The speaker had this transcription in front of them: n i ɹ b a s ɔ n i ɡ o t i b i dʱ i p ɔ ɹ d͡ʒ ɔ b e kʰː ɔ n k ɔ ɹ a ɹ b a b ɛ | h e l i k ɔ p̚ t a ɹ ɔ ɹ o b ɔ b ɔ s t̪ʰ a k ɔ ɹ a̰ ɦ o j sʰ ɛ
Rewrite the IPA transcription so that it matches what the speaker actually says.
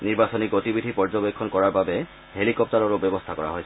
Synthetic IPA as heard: n i ɹ b a s ɔ n i ɡ o t i b i dʱ i p ɔ ɹ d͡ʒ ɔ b e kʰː ɔ n k ɔ ɹ a ɹ b a b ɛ | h e l i k ɔ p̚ t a ɹ ɔ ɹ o b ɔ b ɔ s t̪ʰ a k ɔ ɹ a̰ ɦ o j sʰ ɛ